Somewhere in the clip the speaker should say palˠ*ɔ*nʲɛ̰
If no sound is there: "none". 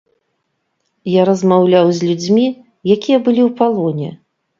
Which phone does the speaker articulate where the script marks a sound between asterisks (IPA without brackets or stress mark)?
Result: ɔ